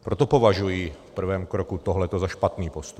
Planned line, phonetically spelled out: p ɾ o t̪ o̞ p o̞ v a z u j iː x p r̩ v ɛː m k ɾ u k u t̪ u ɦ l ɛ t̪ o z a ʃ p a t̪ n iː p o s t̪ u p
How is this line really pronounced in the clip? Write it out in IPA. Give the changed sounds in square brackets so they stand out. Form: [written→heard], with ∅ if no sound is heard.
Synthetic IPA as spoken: p ɾ o t̪ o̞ p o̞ v a [z→ʒ] u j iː [x→f] p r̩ v ɛː m k ɾ [u→o] k u t̪ [u→o] ɦ l ɛ t̪ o z a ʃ p a t̪ n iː p o s t̪ u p